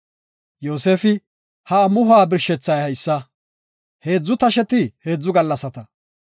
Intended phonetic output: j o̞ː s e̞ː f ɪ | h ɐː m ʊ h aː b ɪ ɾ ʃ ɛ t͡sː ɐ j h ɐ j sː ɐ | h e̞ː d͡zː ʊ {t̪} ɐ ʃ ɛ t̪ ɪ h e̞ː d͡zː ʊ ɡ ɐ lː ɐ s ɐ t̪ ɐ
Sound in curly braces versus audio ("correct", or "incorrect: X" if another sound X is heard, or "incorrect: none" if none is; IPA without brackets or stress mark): correct